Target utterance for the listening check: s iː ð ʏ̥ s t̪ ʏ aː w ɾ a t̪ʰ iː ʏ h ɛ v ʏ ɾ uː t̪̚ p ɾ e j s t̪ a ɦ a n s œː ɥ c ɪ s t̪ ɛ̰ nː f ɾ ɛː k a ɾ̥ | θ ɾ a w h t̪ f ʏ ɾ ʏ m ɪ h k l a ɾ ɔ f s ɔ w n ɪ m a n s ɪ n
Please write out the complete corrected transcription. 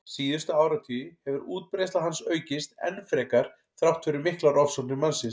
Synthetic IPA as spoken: s iː ð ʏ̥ s t̪ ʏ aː w ɾ a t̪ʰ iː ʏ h ɛ v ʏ ɾ uː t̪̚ p ɾ e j s t̪ a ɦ a n s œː ɥ c ɪ s t̪ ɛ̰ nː f ɾ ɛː k a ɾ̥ | θ ɾ a w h t̪ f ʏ ɾ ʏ m ɪ h k l a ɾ ɔ f s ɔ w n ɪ m a n s ɪ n